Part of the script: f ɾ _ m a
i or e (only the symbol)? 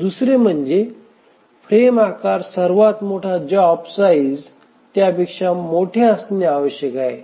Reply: e